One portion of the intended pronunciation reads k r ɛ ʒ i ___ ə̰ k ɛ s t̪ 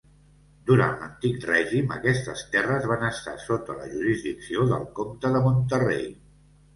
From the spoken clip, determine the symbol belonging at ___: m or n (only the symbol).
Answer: m